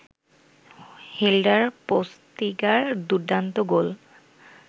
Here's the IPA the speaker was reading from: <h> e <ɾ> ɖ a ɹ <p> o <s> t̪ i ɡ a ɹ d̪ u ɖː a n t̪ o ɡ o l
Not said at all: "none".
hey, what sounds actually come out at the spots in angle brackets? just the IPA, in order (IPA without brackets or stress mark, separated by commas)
h, l, p, s